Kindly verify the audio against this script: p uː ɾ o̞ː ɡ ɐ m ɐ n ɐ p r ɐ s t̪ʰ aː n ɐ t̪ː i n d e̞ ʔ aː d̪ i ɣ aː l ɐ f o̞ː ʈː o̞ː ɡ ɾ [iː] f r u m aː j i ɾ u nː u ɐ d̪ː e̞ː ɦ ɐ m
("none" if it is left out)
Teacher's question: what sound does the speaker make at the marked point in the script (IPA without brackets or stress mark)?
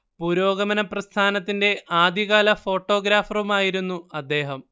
aː